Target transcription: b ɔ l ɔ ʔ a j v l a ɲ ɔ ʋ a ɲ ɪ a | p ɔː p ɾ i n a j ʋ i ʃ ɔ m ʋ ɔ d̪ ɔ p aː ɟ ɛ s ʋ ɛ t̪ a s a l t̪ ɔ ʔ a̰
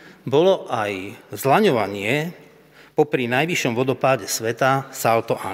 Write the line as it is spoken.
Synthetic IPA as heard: b ɔ l ɔ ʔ a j z l a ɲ ɔ ʋ a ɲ ɪ ɛ | p ɔ p ɾ i n a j ʋ i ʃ ɔ m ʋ ɔ d̪ ɔ p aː ɟ ɛ s ʋ ɛ t̪ a s a l t̪ ɔ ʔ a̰